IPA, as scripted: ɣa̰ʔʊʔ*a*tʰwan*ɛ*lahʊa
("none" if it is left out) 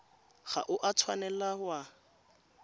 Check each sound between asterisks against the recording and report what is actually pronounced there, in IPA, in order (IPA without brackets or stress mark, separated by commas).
a, ɛ